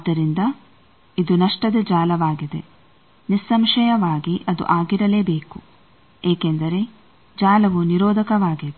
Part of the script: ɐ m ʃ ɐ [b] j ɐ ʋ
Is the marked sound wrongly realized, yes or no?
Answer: yes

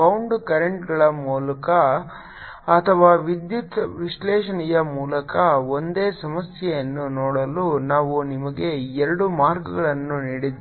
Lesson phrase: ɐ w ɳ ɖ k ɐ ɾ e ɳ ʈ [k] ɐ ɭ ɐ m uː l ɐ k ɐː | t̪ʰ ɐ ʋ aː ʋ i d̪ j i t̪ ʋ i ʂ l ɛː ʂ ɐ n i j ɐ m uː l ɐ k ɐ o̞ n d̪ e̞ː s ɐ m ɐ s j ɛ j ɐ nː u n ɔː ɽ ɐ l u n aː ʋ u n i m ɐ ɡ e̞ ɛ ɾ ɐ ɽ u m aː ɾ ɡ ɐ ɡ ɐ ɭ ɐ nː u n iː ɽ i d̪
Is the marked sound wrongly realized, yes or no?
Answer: yes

